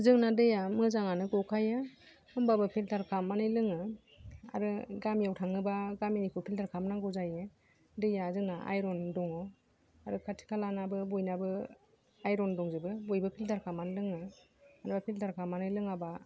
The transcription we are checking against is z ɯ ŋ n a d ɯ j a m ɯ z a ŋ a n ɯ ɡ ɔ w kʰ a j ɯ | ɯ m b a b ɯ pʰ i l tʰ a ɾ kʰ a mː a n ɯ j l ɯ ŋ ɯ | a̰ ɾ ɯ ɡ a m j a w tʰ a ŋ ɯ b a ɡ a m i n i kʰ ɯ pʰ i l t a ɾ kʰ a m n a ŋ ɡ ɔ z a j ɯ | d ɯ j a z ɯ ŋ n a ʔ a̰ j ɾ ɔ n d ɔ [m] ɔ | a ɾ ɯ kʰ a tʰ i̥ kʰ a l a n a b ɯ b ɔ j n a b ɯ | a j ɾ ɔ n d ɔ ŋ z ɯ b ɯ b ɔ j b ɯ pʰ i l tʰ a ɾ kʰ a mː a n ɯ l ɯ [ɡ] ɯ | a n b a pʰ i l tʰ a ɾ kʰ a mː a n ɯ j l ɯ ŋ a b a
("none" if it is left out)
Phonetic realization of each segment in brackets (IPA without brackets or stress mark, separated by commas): ŋ, ŋ